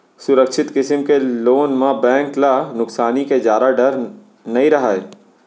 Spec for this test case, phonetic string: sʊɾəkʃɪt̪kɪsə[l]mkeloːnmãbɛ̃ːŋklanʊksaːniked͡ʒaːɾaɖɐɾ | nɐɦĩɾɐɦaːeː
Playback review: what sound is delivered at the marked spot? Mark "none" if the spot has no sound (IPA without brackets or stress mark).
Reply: none